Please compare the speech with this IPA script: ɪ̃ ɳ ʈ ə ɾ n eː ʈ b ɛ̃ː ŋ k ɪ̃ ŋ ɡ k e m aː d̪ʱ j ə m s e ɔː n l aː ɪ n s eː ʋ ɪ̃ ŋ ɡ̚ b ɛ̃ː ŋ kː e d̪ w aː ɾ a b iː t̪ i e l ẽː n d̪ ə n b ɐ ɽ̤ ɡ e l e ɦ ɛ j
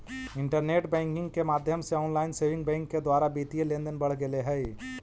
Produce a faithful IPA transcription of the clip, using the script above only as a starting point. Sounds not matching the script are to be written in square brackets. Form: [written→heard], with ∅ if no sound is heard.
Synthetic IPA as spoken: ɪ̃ ɳ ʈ ə ɾ n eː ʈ b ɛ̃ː ŋ k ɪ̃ ŋ ɡ k e m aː d̪ʱ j ə m s e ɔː n l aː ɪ n s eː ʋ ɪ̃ ŋ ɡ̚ b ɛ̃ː ŋ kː e d̪ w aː ɾ a b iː t̪ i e l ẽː n d̪ ə n b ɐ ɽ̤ ɡ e l e ɦ ɛ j